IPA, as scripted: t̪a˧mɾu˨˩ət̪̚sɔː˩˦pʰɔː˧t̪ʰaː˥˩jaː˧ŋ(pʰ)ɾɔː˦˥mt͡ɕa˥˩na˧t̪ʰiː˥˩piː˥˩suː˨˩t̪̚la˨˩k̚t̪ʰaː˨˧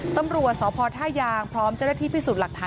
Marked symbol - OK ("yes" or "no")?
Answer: yes